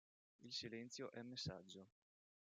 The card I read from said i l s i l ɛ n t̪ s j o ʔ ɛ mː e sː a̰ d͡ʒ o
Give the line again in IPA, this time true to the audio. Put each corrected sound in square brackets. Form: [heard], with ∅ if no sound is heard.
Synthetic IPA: i l s i l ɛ n t̪ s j o ʔ ɛ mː e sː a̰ [d͡ʒː] o